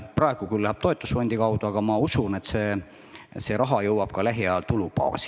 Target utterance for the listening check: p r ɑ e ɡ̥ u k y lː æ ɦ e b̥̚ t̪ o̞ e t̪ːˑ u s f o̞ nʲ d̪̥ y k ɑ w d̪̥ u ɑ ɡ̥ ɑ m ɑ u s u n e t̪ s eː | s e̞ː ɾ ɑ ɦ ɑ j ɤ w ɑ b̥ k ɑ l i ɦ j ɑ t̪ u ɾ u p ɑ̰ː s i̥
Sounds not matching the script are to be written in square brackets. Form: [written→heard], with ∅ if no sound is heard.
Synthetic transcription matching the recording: p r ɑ e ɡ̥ u k y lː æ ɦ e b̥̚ t̪ o̞ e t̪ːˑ u s f o̞ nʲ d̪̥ [y→i] k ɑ w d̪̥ u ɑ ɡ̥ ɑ m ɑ u s u n e t̪ s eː | s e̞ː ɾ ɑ ɦ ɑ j ɤ w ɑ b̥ k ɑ l [i→æ] ɦ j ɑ t̪ u [ɾ→l] u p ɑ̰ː s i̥

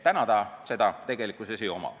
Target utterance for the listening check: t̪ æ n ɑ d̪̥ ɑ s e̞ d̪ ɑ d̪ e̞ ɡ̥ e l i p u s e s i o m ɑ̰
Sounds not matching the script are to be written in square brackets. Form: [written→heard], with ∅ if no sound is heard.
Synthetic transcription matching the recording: t̪ æ n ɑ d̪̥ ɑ s e̞ d̪ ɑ [d̪→t̪] e̞ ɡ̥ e l i [p→k] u s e s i o m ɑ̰

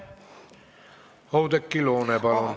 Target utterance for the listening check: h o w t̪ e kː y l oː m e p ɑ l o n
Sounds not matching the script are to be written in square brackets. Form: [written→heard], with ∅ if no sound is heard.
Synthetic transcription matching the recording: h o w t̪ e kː [y→i] l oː [m→n] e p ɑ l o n

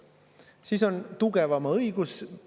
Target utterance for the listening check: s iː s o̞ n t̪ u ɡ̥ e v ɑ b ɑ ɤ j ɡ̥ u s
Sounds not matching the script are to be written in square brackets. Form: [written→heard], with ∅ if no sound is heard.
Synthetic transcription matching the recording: s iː s o̞ n t̪ u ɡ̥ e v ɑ [b→m] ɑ ɤ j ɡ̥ u s

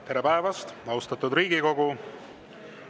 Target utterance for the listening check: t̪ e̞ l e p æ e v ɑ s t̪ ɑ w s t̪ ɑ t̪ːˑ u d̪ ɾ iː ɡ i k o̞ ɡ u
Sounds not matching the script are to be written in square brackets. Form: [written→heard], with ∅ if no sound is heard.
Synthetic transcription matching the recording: t̪ e̞ [l→ɾ] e p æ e v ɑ s t̪ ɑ w s t̪ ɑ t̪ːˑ u d̪ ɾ iː ɡ i k o̞ ɡ u

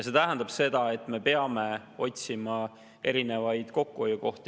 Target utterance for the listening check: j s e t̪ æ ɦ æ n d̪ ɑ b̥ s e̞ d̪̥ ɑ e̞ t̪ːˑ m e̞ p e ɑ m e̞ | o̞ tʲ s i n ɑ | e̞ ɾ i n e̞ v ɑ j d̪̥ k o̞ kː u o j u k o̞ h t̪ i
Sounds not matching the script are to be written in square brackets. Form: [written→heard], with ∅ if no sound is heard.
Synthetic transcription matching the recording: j s e t̪ æ ɦ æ n d̪ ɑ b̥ s e̞ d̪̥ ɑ e̞ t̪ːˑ m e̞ p e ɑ m e̞ | o̞ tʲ s i [n→m] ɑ | e̞ ɾ i n e̞ v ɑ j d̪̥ k o̞ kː u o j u k o̞ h t̪ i

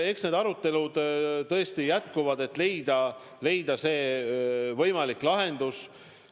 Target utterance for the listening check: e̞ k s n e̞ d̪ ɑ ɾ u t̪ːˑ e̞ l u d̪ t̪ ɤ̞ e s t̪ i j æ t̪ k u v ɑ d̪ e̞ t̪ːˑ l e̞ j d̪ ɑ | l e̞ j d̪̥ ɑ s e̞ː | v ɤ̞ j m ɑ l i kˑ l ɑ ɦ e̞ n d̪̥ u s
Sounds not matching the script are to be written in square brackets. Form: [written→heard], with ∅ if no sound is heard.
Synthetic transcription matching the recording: e̞ k s n e̞ d̪ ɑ ɾ u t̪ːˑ e̞ l u d̪ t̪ ɤ̞ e s t̪ i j æ t̪ k u v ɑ d̪ e̞ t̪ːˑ l e̞ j d̪ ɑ | l e̞ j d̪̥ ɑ s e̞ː | v ɤ̞ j m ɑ l i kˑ l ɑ ɦ e̞ n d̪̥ u s

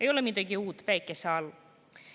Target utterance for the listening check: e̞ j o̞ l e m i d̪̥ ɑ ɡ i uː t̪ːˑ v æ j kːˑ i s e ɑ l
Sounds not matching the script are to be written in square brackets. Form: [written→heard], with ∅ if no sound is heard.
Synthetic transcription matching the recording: e̞ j o̞ l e m i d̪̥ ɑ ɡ i uː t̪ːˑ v æ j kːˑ [i→e] s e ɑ l

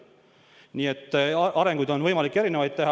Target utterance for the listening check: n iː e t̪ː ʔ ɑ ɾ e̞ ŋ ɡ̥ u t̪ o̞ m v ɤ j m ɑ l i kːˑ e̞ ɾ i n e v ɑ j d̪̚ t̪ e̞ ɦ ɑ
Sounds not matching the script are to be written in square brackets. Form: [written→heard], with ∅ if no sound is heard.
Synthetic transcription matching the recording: n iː e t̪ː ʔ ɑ ɾ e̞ ŋ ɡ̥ u [t̪→d̪] o̞ [m→n] v ɤ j m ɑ l i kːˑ e̞ ɾ i n e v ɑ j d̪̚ t̪ e̞ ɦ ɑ

